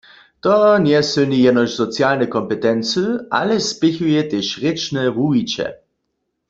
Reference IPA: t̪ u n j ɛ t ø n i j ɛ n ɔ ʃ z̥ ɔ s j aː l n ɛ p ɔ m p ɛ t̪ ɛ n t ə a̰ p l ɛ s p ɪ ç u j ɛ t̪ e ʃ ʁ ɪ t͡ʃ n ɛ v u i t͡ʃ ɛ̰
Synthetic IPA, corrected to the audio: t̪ ɔ n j ɛ s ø n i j ɛ n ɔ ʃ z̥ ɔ t͡s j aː l n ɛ k ɔ m p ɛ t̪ ɛ n t͡s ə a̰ l ɛ s p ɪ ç u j ɛ t̪ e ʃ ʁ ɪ t͡ʃ n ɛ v u i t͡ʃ ɛ̰